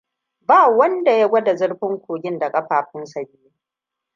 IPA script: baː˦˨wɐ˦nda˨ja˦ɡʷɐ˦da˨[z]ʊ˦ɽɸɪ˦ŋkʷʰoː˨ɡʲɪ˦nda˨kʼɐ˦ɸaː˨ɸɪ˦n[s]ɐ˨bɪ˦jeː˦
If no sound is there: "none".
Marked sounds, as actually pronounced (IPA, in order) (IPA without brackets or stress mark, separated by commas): z, s